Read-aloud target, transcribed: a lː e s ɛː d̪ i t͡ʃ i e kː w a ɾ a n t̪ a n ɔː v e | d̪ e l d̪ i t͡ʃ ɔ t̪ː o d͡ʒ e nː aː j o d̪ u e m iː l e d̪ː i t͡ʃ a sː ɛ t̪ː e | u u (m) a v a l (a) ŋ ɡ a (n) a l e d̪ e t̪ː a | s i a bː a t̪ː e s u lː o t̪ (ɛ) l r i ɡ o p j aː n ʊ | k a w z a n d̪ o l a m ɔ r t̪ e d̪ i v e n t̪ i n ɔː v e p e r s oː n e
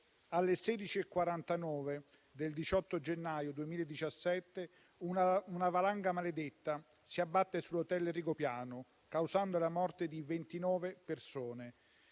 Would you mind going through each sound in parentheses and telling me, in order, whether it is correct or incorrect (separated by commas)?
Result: incorrect, correct, incorrect, correct